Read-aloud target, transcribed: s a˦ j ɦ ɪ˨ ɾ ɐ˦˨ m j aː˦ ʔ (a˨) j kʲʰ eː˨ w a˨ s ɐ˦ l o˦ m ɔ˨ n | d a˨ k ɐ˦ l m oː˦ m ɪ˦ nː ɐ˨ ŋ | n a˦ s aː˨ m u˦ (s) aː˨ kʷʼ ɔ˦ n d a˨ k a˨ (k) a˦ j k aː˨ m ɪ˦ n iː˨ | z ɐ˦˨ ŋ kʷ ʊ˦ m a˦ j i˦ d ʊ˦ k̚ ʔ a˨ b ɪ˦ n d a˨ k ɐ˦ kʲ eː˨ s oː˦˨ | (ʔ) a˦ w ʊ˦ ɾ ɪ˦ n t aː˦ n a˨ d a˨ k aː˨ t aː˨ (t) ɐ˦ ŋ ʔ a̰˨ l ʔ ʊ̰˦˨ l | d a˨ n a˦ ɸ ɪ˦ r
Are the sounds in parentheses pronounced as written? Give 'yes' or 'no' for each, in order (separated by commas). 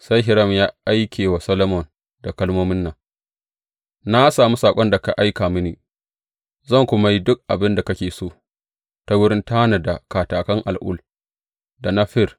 no, yes, no, no, no